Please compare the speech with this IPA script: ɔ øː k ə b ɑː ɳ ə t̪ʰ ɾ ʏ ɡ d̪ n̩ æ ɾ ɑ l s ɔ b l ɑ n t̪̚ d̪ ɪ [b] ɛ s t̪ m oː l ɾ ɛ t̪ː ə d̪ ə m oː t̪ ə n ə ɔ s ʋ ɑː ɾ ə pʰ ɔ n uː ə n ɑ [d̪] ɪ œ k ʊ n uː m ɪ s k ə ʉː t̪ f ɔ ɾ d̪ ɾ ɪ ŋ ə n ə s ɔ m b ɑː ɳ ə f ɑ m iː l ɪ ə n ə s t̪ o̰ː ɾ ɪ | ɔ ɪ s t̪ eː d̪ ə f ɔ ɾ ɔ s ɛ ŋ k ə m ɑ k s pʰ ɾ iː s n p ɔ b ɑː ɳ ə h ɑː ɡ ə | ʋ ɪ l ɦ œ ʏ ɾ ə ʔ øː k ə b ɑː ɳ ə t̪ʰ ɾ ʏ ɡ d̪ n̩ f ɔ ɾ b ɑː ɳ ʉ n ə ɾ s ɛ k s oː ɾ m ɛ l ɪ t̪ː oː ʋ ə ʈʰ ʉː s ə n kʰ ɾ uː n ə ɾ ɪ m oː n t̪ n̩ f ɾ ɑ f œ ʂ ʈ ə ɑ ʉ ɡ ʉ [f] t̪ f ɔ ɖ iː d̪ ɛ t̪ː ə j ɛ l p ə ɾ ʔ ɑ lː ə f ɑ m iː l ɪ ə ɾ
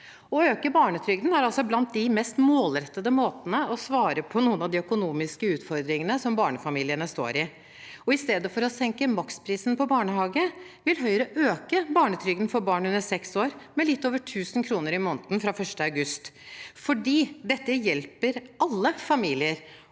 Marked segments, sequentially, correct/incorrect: incorrect: m, correct, incorrect: s

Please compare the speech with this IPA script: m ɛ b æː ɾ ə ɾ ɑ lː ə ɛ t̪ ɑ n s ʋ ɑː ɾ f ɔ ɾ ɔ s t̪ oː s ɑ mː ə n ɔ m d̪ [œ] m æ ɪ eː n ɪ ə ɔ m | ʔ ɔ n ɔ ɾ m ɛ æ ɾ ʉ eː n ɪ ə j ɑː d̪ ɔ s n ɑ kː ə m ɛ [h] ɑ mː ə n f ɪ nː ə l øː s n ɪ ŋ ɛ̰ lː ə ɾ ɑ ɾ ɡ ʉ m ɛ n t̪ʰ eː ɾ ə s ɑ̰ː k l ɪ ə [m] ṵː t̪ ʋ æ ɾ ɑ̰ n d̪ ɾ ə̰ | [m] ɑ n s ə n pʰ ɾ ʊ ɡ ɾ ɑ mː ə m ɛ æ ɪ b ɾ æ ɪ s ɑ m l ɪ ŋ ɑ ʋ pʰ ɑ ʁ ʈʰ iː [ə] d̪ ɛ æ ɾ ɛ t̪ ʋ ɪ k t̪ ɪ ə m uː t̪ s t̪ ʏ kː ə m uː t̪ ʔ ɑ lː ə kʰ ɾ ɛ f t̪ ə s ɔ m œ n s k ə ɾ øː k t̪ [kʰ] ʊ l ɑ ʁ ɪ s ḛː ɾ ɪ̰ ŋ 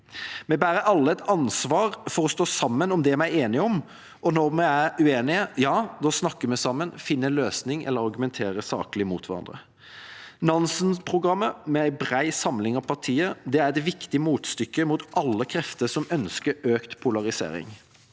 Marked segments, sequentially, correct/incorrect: incorrect: ɛ, incorrect: s, correct, incorrect: n, correct, incorrect: pʰ

